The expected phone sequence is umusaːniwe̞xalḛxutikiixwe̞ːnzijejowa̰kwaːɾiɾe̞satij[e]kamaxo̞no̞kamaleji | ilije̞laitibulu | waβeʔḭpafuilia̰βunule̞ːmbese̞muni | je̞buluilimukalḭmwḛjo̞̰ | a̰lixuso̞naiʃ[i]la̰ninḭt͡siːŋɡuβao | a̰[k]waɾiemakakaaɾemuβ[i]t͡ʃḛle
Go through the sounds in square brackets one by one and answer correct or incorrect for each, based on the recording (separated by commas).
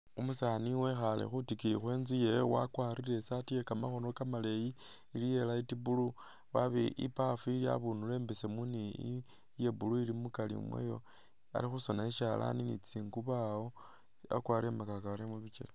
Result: correct, incorrect, correct, correct